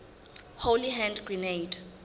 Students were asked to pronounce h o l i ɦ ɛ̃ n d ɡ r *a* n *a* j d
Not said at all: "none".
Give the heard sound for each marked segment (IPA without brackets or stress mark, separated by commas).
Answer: i, e